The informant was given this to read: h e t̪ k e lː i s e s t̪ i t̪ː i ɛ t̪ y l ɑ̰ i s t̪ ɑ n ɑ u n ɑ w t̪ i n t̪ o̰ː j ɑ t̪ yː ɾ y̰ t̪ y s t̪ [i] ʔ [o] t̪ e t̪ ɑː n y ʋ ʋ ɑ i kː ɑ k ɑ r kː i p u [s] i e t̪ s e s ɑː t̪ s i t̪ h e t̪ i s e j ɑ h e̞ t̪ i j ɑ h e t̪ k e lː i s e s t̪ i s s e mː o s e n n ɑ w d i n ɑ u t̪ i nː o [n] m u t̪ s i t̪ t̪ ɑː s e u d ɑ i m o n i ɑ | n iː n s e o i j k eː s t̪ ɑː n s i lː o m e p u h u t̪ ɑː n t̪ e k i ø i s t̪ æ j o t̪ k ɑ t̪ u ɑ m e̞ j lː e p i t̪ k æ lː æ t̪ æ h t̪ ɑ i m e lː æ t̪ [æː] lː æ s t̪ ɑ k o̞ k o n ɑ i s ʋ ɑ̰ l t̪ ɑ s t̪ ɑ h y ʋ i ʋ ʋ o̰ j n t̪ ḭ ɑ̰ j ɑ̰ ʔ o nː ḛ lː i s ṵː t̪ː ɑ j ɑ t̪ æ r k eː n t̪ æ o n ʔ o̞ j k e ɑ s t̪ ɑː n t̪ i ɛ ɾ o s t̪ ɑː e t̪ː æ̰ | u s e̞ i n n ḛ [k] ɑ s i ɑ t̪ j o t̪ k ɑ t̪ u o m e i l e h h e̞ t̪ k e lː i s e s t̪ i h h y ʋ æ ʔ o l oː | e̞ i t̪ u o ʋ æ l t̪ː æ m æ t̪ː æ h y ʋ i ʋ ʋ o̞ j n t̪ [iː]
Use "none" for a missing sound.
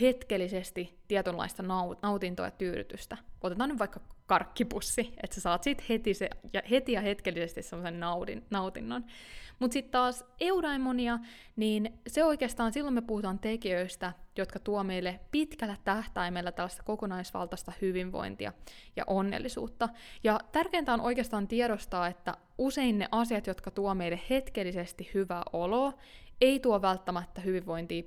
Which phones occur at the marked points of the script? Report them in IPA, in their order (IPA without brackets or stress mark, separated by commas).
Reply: æ, o, sː, n, æ, ʔ, iː